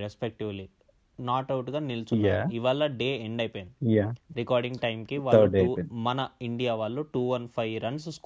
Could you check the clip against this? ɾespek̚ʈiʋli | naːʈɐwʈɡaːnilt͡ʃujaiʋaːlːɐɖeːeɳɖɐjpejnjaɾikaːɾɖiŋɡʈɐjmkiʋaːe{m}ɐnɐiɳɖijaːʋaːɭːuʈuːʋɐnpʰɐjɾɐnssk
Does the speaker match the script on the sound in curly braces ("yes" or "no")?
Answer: yes